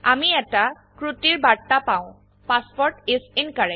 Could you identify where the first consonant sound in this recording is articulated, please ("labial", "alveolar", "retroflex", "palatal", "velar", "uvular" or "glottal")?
labial